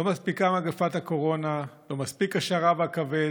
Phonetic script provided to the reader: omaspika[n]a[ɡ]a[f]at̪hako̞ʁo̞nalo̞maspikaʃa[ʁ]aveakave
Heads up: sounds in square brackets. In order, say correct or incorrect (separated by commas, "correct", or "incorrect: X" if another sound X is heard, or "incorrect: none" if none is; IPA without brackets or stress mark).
incorrect: m, correct, correct, correct